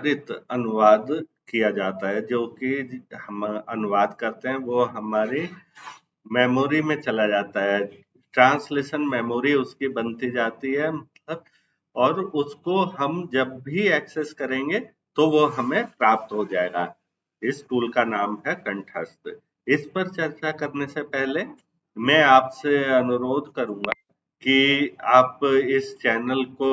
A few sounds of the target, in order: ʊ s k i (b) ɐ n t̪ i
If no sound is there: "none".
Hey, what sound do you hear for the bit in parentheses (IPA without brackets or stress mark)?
b